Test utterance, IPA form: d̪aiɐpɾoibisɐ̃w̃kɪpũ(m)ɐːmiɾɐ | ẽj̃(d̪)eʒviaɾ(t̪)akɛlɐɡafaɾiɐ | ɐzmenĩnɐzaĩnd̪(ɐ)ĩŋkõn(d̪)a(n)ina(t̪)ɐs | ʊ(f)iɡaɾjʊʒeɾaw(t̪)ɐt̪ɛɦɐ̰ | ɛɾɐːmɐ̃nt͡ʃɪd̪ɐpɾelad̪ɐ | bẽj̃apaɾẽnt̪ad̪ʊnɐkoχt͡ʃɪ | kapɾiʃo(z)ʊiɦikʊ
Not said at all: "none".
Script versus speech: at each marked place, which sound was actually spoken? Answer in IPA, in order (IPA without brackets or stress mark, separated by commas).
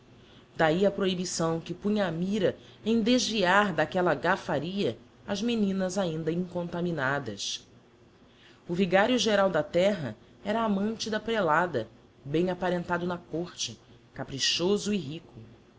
ɲ, d̪, d̪, ɐ, t̪, m, d̪, v, d̪, z